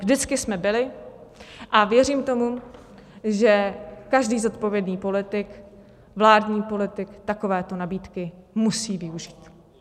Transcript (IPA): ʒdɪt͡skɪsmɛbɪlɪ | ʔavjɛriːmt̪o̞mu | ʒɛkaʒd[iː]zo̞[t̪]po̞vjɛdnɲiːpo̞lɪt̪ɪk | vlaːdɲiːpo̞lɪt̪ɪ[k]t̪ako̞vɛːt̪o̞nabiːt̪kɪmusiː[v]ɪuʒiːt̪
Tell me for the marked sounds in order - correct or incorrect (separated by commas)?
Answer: correct, correct, correct, correct